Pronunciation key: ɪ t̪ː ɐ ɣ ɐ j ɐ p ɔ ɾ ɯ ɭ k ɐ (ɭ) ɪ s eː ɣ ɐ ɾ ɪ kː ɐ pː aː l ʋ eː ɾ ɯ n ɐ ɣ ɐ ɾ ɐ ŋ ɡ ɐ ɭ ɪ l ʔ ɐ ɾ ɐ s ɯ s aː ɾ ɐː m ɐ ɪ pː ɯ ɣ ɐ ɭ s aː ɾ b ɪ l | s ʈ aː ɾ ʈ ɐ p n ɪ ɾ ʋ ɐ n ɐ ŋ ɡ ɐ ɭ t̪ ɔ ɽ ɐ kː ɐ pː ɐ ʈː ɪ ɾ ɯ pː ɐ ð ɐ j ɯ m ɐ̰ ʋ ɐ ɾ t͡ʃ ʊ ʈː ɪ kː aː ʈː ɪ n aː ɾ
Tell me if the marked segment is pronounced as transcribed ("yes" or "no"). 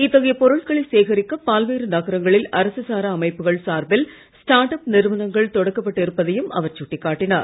yes